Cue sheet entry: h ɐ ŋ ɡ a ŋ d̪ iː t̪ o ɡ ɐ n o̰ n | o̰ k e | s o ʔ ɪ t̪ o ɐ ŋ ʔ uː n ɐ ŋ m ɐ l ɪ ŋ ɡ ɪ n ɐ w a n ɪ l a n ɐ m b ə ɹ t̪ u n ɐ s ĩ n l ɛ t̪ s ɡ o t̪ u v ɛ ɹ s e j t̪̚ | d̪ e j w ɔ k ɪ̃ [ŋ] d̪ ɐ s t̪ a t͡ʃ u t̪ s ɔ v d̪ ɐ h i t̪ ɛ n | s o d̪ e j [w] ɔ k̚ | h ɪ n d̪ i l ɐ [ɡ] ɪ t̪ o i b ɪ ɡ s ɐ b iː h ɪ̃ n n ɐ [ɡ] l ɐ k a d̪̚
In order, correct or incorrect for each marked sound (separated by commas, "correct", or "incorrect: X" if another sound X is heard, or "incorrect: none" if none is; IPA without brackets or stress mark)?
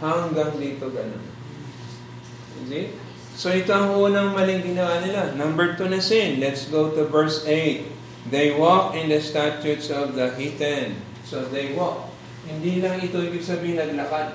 incorrect: n, correct, incorrect: ŋ, correct